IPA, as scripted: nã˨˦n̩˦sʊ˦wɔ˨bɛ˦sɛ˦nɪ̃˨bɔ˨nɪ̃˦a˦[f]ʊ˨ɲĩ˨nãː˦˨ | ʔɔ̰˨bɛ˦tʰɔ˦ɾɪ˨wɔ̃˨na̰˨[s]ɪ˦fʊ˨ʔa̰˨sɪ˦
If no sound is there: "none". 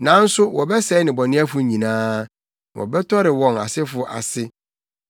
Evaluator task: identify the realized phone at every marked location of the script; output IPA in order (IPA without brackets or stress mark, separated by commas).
f, s